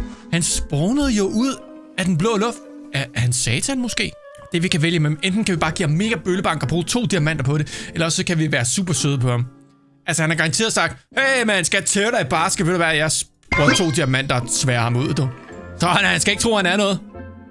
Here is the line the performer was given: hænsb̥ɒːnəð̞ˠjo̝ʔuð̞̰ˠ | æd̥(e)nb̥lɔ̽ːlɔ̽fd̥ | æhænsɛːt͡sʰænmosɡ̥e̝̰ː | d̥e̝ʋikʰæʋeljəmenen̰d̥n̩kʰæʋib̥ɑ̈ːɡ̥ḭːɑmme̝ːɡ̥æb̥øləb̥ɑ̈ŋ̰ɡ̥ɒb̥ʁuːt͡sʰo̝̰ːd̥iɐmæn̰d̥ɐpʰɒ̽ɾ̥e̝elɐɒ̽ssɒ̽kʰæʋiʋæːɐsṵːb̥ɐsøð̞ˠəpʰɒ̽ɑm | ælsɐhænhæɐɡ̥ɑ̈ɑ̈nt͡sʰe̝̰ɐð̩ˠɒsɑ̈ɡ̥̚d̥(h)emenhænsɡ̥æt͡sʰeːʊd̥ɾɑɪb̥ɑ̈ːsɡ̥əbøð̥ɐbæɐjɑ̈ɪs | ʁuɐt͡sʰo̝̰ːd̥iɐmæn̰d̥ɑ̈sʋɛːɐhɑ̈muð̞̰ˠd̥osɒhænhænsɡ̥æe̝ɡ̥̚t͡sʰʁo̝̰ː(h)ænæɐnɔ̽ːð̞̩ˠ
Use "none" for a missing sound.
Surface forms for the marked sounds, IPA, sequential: e, h, h

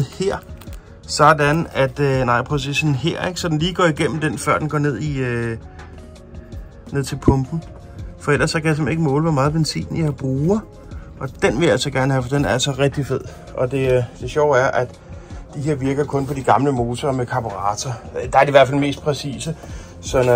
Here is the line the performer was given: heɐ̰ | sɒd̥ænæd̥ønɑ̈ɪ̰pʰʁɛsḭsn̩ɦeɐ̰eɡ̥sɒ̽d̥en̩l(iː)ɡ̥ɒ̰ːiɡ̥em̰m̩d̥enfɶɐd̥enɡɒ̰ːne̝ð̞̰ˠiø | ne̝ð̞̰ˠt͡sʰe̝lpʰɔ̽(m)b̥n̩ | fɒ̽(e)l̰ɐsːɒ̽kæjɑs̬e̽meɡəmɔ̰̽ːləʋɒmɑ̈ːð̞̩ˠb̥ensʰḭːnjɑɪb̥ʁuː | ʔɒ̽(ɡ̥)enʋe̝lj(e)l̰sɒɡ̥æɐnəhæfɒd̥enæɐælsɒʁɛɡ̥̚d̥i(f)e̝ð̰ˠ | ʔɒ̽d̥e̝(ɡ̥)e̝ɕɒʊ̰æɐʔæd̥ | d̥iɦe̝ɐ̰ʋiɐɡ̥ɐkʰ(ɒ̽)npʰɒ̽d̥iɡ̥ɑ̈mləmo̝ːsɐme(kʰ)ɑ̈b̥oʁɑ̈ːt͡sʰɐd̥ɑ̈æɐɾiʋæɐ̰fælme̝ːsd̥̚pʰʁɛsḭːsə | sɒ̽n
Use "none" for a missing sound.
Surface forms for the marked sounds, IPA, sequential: iː, m, e, d̥, æ, f, d̥, ɔ̽, kʰ

